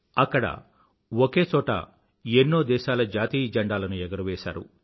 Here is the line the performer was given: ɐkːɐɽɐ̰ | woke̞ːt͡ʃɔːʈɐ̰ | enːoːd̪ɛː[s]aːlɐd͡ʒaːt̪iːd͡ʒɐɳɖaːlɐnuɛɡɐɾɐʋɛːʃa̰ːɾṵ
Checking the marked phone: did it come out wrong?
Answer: yes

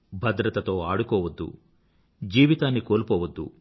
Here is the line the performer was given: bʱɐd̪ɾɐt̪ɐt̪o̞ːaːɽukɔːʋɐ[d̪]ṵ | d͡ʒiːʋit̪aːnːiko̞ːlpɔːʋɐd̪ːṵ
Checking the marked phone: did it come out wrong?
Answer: yes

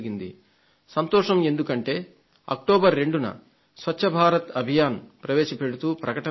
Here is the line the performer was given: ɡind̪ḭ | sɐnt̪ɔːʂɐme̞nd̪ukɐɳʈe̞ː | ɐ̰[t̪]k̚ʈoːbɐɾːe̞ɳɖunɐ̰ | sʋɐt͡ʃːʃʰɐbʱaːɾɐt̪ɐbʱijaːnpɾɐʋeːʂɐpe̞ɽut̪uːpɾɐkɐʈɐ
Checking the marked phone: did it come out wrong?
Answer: yes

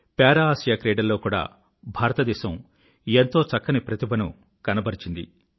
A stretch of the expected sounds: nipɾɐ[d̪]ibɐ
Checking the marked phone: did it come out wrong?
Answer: yes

